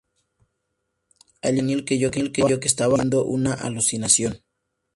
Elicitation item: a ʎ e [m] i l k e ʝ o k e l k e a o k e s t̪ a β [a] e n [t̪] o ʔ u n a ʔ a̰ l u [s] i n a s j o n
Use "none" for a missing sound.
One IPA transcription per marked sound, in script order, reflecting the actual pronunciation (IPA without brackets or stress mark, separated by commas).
n, a, d̪, s